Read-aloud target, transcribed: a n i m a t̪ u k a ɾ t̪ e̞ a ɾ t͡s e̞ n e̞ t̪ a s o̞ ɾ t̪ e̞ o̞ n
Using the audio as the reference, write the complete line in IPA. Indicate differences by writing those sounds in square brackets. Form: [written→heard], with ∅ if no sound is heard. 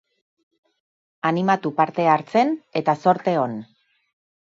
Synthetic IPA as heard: a n i m a t̪ u [k→p] a ɾ t̪ e̞ a ɾ t͡s e̞ n e̞ t̪ a s o̞ ɾ t̪ e̞ o̞ n